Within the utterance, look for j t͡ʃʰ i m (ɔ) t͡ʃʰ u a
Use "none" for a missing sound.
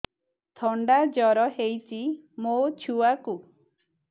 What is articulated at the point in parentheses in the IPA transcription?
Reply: o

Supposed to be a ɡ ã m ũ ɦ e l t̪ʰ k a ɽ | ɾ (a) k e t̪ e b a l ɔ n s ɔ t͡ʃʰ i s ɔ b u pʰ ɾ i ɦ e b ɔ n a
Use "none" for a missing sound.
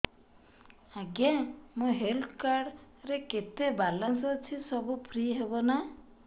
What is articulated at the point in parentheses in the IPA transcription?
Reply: e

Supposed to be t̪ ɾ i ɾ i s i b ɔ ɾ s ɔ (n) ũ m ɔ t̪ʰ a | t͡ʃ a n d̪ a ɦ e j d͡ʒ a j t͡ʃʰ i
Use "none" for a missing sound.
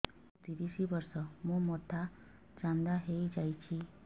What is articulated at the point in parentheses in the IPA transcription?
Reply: m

